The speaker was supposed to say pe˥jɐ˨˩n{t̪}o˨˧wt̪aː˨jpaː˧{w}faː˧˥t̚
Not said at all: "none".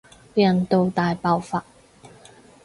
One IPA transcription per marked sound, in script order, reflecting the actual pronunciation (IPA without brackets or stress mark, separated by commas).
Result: t̪, w